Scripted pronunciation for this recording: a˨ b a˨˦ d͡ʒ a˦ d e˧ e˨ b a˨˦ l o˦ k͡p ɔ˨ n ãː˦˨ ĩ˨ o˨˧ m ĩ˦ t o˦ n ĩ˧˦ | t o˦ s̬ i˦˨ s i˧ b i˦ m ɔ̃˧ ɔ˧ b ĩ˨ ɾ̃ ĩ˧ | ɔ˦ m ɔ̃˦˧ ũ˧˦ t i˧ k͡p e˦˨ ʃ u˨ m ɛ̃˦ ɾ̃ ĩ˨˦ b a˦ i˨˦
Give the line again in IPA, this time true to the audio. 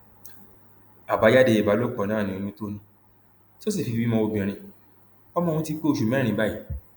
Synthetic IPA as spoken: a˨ b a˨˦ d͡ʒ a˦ d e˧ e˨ b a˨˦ l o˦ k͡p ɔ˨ n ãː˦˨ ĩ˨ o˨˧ m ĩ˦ t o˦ n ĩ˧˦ | t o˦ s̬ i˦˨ f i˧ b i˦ m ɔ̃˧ o˧ b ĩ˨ ɾ̃ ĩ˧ | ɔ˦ m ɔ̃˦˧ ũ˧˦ t i˧ k͡p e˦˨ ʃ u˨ m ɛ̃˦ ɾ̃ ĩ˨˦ b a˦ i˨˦